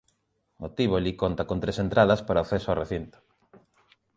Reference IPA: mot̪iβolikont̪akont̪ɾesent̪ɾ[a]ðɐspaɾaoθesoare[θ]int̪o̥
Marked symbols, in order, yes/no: yes, yes

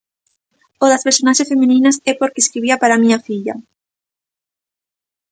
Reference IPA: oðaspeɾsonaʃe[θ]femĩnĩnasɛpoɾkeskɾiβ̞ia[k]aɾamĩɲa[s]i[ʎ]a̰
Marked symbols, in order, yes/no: no, no, no, yes

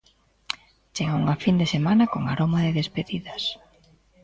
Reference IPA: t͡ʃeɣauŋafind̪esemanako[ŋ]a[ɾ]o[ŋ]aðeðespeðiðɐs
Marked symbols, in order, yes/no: yes, yes, no

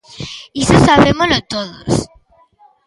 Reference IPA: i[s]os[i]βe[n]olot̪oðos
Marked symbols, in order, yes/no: yes, no, no

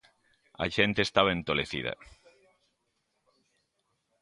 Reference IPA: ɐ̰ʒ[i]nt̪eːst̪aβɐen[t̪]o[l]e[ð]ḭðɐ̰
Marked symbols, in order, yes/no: no, yes, yes, no

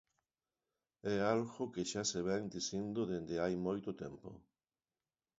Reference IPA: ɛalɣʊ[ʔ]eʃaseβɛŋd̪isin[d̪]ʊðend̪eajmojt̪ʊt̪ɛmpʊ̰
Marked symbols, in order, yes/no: no, yes

